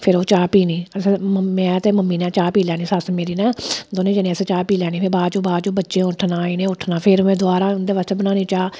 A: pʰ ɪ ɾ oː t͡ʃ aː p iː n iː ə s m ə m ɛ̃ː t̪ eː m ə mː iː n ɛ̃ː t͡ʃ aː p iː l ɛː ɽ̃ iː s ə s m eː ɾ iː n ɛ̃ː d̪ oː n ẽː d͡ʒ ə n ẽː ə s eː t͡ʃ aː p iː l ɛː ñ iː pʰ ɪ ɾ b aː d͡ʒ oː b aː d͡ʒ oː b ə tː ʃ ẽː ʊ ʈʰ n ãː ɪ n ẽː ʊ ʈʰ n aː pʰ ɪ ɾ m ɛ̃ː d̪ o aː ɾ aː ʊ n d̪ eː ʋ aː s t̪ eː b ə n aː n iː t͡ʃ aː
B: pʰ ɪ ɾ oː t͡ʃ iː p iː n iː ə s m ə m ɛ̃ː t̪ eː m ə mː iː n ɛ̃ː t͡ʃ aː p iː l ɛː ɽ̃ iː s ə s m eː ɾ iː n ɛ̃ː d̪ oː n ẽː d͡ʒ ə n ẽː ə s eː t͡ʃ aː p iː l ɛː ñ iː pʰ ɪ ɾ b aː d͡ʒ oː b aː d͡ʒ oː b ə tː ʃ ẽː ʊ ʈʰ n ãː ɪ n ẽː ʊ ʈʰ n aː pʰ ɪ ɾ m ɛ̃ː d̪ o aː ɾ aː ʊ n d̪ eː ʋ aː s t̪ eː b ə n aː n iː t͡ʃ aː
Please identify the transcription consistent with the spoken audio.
A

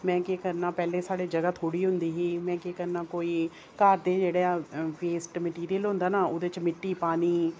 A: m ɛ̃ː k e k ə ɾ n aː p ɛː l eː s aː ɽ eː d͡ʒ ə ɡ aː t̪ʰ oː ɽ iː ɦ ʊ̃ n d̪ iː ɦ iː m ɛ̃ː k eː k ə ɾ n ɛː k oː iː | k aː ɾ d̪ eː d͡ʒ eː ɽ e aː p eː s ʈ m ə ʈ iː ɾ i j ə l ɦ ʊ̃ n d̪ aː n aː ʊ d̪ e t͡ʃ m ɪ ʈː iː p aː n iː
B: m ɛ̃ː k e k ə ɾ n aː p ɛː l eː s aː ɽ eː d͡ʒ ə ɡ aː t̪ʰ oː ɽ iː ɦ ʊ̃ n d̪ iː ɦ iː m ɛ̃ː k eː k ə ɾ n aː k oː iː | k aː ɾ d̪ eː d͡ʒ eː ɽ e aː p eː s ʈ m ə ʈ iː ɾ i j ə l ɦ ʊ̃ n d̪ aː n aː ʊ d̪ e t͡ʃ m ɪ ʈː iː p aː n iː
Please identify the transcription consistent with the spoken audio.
B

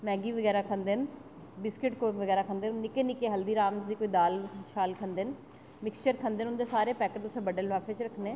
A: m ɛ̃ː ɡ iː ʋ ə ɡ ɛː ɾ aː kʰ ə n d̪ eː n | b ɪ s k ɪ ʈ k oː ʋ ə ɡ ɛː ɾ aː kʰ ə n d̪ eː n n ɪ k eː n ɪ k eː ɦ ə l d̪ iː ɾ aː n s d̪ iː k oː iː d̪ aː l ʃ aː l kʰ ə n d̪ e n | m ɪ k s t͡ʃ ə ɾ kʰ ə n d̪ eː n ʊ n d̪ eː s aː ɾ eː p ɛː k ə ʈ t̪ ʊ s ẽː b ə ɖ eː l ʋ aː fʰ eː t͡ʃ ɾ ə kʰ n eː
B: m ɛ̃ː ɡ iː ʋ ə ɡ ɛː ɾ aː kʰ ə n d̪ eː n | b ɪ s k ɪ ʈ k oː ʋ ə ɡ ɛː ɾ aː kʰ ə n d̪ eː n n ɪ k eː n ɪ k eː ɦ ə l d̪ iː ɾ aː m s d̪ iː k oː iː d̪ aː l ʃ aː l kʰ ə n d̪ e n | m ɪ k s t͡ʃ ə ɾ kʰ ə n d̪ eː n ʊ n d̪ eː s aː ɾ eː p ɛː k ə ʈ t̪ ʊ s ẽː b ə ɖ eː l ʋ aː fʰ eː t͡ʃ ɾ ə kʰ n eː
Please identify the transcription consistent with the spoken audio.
B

